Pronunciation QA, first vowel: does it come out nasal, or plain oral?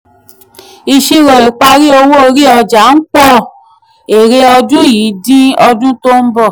oral